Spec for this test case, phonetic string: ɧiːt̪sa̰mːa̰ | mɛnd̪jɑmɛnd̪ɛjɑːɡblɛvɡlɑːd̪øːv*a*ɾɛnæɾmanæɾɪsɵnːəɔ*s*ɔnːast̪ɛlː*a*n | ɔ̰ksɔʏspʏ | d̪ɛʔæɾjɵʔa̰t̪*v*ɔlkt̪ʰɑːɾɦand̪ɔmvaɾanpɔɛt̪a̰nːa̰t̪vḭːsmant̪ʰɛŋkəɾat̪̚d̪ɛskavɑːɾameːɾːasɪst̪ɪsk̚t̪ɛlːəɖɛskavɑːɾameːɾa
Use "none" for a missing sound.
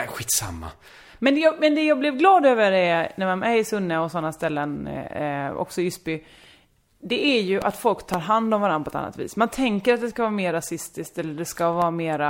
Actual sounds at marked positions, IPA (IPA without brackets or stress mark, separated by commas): ə, s, ə, f